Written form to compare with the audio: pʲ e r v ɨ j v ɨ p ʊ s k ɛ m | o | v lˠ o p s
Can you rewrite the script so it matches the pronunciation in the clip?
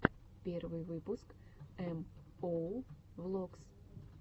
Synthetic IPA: pʲ e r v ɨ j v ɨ p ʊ s k ɛ m | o | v lˠ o k s